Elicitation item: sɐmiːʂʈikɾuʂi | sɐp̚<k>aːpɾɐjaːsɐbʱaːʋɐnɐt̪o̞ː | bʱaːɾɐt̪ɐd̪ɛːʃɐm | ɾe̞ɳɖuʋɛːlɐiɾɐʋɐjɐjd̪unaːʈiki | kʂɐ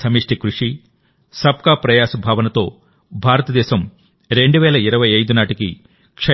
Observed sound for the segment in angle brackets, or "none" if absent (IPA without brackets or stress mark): k